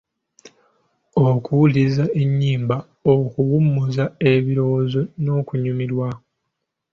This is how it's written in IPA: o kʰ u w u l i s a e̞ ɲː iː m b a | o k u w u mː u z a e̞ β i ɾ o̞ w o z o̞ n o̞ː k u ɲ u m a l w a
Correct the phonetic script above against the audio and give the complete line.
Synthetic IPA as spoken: o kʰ u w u l i z a e̞ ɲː iː m b a | o k u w u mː u z a e̞ β i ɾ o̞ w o z o̞ n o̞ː k u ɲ u m i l w a